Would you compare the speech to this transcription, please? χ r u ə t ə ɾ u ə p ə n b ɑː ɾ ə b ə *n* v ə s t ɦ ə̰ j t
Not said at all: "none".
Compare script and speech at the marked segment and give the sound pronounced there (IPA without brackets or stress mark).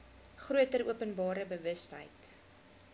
none